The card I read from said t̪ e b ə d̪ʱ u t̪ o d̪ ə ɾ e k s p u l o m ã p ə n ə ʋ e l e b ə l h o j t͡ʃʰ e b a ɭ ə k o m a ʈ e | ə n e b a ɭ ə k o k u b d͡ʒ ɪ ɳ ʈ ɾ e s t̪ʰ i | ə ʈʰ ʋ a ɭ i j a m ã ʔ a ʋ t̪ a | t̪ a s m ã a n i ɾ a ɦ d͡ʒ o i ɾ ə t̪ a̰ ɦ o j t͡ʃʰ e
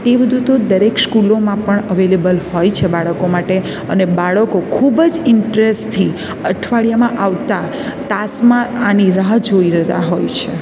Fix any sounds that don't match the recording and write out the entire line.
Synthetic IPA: t̪ e b ə d̪ʱ u t̪ o d̪ ə ɾ e k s k u l o m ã p ə ɳ ə ʋ e l e b ə l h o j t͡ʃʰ e b a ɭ ə k o m a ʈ e | ə n e b a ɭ ə k o kʰ u b d͡ʒ ɪ ɳ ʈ ɾ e s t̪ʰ i | ə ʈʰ ʋ a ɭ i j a m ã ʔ a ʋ t̪ a | t̪ a s m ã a n i ɾ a ɦ d͡ʒ o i ɾ ə t̪ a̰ ɦ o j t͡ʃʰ e